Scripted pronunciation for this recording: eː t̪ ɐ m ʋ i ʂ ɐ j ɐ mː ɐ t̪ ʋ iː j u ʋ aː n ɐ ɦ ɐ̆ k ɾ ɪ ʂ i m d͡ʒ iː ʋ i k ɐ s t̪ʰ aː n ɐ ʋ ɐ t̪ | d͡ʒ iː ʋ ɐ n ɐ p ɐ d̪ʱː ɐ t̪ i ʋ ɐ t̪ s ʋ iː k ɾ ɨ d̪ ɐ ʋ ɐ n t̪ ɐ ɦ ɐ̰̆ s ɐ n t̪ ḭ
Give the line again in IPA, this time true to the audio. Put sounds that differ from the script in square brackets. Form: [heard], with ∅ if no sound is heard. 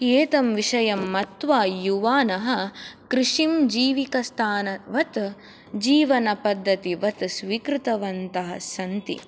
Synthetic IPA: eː t̪ ɐ m ʋ i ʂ ɐ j ɐ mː ɐ t̪ ʋ [aː] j u ʋ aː n ɐ ɦ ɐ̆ k ɾ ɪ ʂ i m d͡ʒ iː ʋ i k ɐ s t̪ʰ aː n ɐ ʋ ɐ t̪ | d͡ʒ iː ʋ ɐ n ɐ p ɐ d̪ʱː ɐ t̪ i ʋ ɐ t̪ s ʋ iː k ɾ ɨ [t̪] ɐ ʋ ɐ n t̪ ɐ ɦ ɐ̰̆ s ɐ n t̪ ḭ

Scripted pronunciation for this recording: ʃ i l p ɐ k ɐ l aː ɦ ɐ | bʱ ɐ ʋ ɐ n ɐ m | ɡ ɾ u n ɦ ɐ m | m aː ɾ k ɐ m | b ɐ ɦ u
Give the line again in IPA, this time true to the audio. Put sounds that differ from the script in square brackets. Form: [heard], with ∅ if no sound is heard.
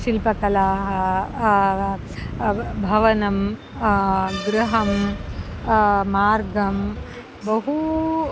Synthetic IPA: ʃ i l p ɐ k ɐ l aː ɦ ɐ | bʱ ɐ ʋ ɐ n ɐ m | ɡ ɾ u [∅] ɦ ɐ m | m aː ɾ [ɡ] ɐ m | b ɐ ɦ u

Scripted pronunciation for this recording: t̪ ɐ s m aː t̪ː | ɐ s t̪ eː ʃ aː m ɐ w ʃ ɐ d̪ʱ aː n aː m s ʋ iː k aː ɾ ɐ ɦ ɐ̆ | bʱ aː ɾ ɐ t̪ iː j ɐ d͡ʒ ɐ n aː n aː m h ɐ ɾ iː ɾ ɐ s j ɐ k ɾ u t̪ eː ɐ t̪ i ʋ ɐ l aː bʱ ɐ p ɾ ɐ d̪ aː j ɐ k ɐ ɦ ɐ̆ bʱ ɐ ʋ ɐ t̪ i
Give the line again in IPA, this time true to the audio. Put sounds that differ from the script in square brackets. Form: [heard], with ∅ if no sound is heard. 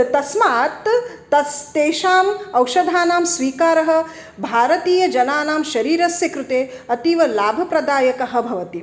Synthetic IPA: t̪ ɐ s m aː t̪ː | ɐ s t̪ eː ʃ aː m ɐ w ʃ ɐ d̪ʱ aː n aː m s ʋ iː k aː ɾ ɐ ɦ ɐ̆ | bʱ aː ɾ ɐ t̪ iː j ɐ d͡ʒ ɐ n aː n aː m [ʃ] ɐ ɾ iː ɾ ɐ s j ɐ k ɾ u t̪ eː ɐ t̪ i ʋ ɐ l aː bʱ ɐ p ɾ ɐ d̪ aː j ɐ k ɐ ɦ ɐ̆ bʱ ɐ ʋ ɐ t̪ i

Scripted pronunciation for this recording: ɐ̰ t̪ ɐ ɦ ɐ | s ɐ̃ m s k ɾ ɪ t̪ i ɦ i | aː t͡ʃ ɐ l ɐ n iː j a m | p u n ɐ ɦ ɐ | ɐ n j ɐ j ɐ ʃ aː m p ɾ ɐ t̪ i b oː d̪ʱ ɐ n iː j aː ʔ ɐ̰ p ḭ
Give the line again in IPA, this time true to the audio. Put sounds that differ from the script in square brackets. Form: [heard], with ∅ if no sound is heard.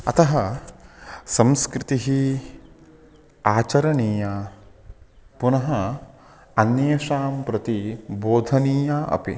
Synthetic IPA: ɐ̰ t̪ ɐ ɦ ɐ | s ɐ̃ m s k ɾ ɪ t̪ i ɦ i | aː t͡ʃ ɐ [ɾ] ɐ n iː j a [∅] | p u n ɐ ɦ ɐ | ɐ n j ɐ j ɐ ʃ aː m p ɾ ɐ t̪ i b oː d̪ʱ ɐ n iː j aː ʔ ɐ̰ p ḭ

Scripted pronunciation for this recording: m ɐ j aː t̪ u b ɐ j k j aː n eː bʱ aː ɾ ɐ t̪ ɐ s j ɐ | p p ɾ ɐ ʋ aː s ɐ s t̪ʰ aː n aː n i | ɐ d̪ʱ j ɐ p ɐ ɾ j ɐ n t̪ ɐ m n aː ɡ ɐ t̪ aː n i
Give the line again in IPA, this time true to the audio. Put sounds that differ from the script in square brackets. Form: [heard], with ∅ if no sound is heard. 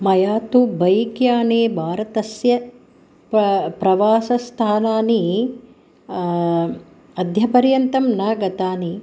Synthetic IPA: m ɐ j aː t̪ u b ɐ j k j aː n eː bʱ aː ɾ ɐ t̪ ɐ s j ɐ | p p ɾ ɐ ʋ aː s ɐ s t̪ʰ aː n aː n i | ɐ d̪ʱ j ɐ p ɐ ɾ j ɐ n t̪ ɐ m n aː ɡ ɐ t̪ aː n i

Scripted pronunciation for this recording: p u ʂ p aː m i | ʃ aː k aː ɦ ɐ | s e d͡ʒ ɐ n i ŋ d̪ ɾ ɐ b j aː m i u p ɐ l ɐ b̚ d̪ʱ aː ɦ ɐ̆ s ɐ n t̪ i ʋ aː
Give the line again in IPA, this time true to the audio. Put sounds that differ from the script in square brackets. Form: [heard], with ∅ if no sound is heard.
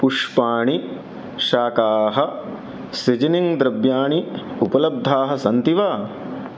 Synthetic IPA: p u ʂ p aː [ɳ] i | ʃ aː k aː ɦ ɐ | s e d͡ʒ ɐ n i ŋ d̪ ɾ ɐ b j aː [ɳ] i u p ɐ l ɐ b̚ d̪ʱ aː ɦ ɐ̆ s ɐ n t̪ i ʋ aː

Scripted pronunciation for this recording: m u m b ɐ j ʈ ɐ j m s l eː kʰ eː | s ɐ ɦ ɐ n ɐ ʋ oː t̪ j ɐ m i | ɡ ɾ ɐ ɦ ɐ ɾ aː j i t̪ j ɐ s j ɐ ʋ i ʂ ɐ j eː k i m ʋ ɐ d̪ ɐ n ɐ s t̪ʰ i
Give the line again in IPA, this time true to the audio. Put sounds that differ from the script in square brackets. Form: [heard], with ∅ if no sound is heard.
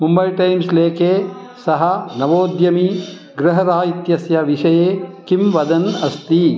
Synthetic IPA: m u m b ɐ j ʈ ɐ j m s l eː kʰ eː | s ɐ ɦ ɐ n ɐ ʋ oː [d̪] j ɐ m i | ɡ ɾ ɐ ɦ ɐ ɾ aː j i t̪ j ɐ s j ɐ ʋ i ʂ ɐ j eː k i m ʋ ɐ d̪ ɐ n ɐ s [t̪] i

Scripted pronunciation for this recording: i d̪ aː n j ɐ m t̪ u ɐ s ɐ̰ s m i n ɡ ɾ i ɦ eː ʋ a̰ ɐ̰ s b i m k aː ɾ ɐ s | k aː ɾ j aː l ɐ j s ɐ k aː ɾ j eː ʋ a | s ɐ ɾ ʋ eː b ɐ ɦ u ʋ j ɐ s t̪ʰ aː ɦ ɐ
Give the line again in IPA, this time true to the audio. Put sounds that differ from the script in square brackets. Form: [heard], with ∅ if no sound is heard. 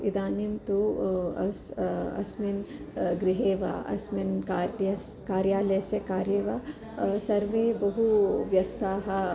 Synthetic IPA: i d̪ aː n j ɐ m t̪ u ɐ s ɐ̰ s m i n ɡ ɾ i ɦ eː ʋ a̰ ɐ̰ s [m] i [n] k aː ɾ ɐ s | k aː ɾ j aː l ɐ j s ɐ k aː ɾ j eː ʋ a | s ɐ ɾ ʋ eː b ɐ ɦ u ʋ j ɐ s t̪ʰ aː ɦ ɐ

